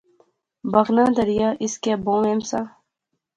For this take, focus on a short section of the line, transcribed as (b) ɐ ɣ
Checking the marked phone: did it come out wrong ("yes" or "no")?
no